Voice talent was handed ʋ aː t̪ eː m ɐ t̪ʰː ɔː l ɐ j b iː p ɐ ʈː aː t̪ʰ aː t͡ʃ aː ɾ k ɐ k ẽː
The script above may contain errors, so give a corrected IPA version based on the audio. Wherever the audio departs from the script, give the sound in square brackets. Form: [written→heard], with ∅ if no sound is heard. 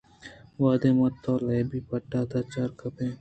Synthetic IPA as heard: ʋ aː [t̪→d̪] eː m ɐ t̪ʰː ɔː l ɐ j b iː p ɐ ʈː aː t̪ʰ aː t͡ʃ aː ɾ k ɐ [k→p] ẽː